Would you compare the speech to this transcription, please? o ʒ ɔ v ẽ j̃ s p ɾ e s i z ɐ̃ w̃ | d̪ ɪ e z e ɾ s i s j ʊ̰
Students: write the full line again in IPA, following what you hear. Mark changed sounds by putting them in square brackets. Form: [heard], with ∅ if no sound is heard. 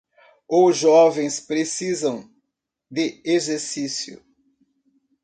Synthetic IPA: o ʒ ɔ v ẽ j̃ s p ɾ e s i z ɐ̃ w̃ | d̪ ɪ e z e ɾ s i s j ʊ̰